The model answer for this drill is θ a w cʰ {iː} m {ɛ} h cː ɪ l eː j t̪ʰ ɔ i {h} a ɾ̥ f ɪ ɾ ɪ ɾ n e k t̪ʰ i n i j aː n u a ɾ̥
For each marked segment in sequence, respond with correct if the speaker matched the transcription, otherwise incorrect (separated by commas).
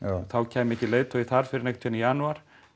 incorrect, correct, incorrect